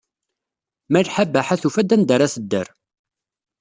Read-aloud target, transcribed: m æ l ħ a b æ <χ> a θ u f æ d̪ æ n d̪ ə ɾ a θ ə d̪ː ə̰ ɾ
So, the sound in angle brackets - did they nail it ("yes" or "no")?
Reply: no